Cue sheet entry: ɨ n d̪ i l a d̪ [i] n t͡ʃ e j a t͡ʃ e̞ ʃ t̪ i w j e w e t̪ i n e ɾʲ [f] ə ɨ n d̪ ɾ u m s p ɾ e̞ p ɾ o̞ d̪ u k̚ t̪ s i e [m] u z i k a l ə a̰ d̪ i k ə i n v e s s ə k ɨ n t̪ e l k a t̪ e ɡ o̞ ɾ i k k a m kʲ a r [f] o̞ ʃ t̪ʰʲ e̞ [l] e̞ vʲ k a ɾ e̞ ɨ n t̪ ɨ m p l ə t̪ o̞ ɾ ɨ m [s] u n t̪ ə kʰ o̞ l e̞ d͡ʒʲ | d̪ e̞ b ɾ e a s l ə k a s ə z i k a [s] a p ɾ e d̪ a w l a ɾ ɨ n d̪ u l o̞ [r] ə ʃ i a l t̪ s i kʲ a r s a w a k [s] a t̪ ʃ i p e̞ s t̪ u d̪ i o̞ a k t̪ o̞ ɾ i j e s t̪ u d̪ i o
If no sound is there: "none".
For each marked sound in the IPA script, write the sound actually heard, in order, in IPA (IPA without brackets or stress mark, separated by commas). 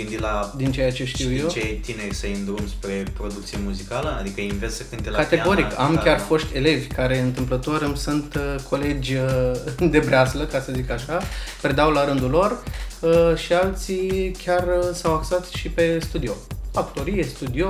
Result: i, s, m, f, l, s, ʃ, r, s